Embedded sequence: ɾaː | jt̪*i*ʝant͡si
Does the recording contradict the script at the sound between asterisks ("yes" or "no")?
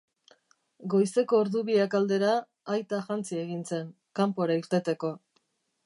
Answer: yes